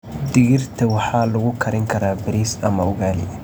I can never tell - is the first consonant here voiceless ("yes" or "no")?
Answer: no